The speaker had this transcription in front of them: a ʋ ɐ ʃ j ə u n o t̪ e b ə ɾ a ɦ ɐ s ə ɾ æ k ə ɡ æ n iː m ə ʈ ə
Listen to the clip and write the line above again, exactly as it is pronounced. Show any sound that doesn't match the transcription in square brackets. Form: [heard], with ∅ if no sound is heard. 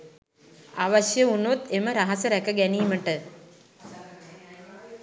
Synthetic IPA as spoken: a ʋ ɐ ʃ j ə u n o t̪ e [m] ə ɾ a ɦ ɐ s ə ɾ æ k ə ɡ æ n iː m ə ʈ ə